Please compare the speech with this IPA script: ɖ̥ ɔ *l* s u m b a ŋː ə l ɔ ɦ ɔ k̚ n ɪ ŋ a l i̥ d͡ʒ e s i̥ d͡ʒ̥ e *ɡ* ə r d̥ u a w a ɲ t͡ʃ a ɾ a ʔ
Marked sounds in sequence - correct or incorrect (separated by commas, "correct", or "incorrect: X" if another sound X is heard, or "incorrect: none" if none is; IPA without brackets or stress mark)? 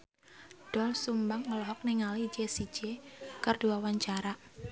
correct, incorrect: k